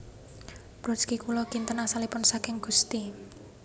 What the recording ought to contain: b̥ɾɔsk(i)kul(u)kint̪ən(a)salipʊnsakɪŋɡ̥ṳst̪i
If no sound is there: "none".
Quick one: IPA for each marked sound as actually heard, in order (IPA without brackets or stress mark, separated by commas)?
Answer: i, ɔ, a